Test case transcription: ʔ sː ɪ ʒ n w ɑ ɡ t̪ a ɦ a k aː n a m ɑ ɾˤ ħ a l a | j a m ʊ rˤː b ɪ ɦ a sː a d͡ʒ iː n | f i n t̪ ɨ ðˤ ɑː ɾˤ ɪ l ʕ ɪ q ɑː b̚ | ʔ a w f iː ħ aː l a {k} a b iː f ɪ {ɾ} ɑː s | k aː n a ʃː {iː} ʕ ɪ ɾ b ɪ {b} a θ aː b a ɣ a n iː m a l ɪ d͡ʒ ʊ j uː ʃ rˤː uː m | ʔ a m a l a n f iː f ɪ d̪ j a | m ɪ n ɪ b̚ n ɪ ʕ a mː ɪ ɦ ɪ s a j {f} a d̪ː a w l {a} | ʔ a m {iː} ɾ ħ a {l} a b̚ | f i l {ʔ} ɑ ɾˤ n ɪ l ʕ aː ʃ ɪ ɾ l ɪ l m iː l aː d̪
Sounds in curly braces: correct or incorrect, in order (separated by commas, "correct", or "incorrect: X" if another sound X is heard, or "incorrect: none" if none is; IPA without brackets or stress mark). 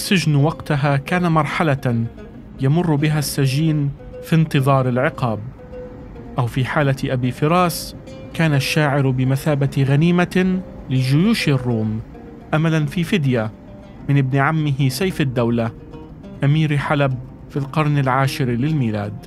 incorrect: ʔ, correct, incorrect: aː, incorrect: m, correct, correct, correct, correct, incorrect: q